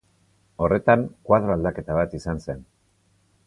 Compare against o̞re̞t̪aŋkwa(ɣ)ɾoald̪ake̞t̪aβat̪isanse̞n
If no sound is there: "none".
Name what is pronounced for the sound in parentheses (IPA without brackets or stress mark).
ð